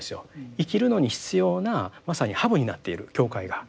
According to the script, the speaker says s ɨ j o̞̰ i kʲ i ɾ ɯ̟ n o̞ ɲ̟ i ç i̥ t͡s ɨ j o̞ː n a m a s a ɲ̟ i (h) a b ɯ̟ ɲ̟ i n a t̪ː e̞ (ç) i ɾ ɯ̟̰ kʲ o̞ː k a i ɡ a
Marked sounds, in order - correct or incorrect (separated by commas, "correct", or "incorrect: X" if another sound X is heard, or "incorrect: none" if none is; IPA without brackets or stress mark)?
correct, incorrect: none